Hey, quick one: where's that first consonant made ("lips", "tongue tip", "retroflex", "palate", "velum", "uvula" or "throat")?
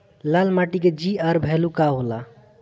tongue tip